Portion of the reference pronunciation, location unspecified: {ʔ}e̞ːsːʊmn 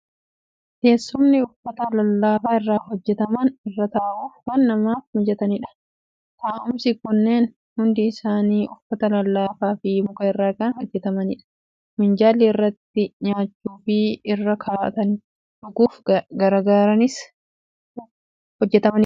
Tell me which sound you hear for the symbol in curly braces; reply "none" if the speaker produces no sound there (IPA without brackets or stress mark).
k